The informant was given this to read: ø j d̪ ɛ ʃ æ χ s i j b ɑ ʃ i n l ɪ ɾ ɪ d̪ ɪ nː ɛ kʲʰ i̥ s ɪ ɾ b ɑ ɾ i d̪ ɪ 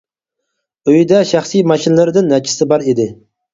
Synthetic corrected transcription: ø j d̪ ɛ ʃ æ χ s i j m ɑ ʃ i n l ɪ ɾ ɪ d̪ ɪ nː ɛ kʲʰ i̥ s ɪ b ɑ ɾ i d̪ ɪ

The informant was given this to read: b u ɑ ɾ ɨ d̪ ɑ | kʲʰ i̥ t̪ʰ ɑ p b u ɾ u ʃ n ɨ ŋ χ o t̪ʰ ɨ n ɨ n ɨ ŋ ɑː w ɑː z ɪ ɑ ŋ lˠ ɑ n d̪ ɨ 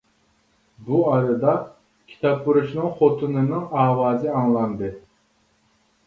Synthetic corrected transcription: b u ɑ ɾ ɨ d̪ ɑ | kʲʰ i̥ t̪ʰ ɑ p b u ɾ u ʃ n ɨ ŋ χ o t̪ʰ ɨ n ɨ n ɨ ŋ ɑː w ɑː z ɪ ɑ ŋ lˠ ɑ n d̪ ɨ

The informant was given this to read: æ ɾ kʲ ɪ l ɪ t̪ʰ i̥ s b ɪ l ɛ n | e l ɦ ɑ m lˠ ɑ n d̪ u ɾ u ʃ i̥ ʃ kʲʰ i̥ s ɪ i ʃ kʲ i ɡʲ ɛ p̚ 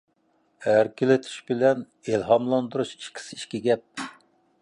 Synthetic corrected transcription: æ ɾ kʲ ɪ l ɪ t̪ʰ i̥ ʃ b ɪ l ɛ n | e l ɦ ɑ m lˠ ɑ n d̪ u ɾ u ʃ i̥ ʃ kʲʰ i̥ s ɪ i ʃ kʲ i ɡʲ ɛ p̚

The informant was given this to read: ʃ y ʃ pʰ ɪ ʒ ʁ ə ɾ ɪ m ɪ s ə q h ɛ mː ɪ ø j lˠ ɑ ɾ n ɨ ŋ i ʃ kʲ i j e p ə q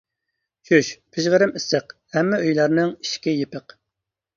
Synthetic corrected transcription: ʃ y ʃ pʰ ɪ ʒ ʁ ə ɾ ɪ m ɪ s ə q h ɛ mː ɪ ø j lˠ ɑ ɾ n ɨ ŋ i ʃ kʲ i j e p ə q

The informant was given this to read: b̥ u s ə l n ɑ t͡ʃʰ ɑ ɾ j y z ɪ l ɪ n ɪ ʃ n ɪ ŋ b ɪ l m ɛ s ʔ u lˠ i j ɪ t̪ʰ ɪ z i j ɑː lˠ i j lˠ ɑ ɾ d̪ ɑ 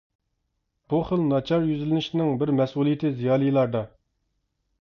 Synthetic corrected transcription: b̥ u χ ə l n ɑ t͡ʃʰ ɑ ɾ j y z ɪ l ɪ n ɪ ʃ n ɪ ŋ b ɪ ɾ m ɛ s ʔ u lˠ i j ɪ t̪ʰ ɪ z i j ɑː lˠ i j lˠ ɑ ɾ d̪ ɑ

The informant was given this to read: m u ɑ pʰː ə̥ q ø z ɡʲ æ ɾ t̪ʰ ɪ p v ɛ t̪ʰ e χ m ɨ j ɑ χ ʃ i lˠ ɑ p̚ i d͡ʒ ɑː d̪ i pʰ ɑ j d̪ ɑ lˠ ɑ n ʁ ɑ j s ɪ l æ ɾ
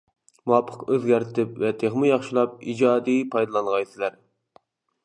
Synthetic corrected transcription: m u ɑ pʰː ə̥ q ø z ɡʲ æ ɾ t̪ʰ ɪ p v ɛ t̪ʰ e χ m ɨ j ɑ χ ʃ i lˠ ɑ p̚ i d͡ʒ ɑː d̪ i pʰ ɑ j d̪ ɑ lˠ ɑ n ʁ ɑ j s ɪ l æ ɾ

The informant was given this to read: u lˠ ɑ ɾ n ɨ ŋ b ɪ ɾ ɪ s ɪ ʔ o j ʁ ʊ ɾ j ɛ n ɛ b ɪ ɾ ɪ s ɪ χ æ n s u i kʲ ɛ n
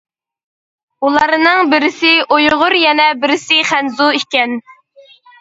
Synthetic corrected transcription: u lˠ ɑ ɾ n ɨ ŋ b ɪ ɾ ɪ s ɪ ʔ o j ʁ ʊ ɾ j ɛ n ɛ b ɪ ɾ ɪ s ɪ χ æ n z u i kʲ ɛ n

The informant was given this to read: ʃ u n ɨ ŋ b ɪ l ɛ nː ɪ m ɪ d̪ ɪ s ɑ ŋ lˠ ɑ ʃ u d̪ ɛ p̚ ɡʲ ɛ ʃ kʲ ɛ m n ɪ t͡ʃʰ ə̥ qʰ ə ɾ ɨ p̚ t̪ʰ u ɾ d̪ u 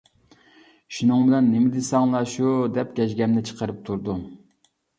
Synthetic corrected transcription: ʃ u n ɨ ŋ b ɪ l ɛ nː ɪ m ɪ d̪ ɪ s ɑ ŋ lˠ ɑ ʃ u d̪ ɛ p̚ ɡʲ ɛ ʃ ɡʲ ɛ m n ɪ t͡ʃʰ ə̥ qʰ ə ɾ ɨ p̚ t̪ʰ u ɾ d̪ u

